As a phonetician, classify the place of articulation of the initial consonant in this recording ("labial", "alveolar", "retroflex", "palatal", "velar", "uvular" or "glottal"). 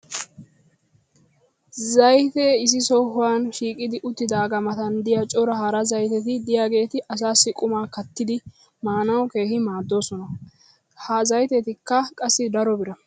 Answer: alveolar